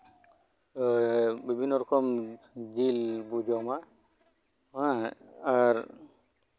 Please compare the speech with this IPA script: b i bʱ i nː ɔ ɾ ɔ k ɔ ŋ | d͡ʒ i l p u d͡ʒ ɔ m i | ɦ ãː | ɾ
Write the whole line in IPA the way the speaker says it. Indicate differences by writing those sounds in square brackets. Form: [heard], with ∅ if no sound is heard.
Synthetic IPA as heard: b i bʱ i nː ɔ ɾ ɔ k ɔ [m] | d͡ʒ i l [b] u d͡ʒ ɔ m [a] | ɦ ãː | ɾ